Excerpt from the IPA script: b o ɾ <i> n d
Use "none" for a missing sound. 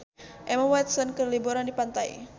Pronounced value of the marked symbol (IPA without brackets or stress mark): a